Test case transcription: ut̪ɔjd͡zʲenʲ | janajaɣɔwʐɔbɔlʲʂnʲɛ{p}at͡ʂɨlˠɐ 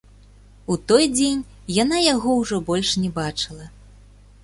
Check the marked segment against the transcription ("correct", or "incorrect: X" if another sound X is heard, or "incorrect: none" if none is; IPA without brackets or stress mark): incorrect: b